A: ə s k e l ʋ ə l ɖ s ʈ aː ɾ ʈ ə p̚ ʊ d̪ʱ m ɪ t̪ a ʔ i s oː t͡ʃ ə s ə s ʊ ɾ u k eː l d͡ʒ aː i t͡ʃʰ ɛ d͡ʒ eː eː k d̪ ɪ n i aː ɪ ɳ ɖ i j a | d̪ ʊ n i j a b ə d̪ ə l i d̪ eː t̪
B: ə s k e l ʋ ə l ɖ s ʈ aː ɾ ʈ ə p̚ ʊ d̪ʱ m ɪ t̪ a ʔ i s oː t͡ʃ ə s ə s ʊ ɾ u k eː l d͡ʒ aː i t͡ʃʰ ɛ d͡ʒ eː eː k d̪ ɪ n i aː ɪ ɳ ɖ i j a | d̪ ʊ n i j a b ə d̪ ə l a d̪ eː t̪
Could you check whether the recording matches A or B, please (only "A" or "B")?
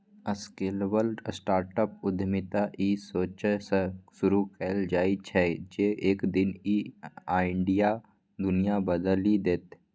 A